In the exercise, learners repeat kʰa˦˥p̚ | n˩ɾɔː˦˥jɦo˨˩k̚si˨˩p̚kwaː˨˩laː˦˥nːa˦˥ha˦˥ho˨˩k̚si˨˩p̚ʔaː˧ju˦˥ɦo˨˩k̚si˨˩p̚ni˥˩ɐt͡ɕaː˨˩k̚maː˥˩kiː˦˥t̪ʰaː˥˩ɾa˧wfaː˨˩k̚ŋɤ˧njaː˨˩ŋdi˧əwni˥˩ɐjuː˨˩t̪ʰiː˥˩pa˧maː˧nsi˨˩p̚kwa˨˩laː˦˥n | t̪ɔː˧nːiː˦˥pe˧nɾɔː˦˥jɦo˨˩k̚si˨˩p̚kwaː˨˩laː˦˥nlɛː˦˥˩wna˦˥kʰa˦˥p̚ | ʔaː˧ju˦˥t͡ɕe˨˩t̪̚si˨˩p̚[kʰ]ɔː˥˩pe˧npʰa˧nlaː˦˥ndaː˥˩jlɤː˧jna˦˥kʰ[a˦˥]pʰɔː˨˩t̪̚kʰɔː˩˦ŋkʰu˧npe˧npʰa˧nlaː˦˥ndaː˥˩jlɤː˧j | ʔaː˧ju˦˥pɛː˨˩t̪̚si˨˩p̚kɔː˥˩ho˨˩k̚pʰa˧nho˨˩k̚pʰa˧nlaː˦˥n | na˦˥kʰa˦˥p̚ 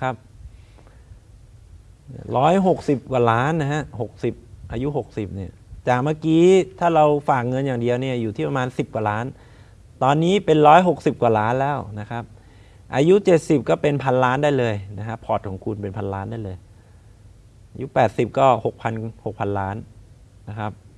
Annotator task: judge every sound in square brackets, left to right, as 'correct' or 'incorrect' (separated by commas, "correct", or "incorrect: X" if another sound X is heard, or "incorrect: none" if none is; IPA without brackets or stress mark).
incorrect: k, correct